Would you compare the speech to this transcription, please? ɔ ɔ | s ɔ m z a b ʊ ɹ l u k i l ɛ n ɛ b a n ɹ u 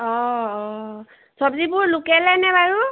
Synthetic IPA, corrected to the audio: ɔ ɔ | s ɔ b z i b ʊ ɹ l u k ɛ l ɛ n ɛ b a ɹ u

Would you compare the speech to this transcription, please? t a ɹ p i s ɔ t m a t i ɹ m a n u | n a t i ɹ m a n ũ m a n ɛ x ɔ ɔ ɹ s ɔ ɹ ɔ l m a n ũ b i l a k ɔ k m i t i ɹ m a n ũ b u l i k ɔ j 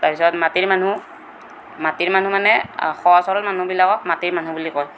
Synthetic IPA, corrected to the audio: t a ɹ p i s ɔ t m a t i ɹ m a n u | m a t i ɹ m a n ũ m a n ɛ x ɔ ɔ s ɔ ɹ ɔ l m a n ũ b i l a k ɔ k m a t i ɹ m a n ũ b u l i k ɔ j

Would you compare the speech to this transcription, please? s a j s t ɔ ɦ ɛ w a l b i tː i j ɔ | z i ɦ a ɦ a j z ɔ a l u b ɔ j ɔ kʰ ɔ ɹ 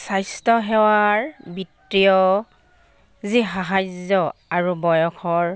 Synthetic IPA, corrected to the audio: s a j s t ɔ ɦ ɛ w a ɹ b i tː i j ɔ | z i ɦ a ɦ a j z ɔ a ɹ u b ɔ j ɔ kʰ ɔ ɹ

